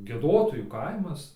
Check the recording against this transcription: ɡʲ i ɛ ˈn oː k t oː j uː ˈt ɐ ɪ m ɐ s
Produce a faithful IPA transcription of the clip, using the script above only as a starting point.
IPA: ɡʲ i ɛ ˈd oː t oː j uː ˈk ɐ ɪ m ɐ s